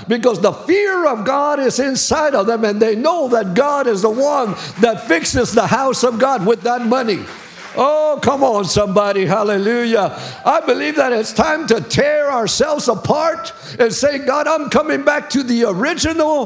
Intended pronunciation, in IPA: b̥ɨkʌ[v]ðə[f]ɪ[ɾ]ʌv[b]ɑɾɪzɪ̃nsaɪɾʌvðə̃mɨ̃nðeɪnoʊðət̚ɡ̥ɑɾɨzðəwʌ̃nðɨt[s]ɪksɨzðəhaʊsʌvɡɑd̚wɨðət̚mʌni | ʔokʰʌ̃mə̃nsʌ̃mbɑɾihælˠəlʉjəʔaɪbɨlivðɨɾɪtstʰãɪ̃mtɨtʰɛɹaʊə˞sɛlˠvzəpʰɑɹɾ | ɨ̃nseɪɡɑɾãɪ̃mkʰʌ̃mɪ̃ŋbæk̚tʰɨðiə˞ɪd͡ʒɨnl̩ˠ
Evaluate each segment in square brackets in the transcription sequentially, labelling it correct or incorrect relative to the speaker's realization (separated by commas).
incorrect, correct, incorrect, incorrect, incorrect